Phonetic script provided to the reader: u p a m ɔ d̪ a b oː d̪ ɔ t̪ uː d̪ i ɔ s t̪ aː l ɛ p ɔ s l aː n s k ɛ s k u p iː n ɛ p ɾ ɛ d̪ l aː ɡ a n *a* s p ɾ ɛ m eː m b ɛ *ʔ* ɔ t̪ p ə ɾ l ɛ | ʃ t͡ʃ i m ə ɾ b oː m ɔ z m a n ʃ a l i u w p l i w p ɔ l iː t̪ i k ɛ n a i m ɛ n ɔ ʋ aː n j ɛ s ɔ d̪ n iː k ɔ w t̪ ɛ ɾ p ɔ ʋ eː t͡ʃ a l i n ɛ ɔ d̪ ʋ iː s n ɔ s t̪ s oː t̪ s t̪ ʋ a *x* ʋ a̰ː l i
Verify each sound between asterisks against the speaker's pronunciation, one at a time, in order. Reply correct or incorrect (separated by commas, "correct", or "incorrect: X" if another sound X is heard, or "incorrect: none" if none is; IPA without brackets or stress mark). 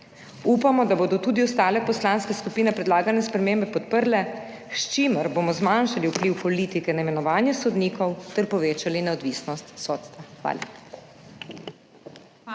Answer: incorrect: ɛ, incorrect: p, correct